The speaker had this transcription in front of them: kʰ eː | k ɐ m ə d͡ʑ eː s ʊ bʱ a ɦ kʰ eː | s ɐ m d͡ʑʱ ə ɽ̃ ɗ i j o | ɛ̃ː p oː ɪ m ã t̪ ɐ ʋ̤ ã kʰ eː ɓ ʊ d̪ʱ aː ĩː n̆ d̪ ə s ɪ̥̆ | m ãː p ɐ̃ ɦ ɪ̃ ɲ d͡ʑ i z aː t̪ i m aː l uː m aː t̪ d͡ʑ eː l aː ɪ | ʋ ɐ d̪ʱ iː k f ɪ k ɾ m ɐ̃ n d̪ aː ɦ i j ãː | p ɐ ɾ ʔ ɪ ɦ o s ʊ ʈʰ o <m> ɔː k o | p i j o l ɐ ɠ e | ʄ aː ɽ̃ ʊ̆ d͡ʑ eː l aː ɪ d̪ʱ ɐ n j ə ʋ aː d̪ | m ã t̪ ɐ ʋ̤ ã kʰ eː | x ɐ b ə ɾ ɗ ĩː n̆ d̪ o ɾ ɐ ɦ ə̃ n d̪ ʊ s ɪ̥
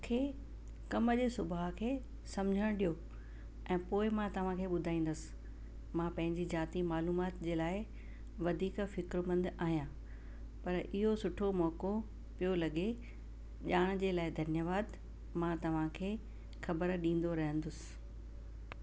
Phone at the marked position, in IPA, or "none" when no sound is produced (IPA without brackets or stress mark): m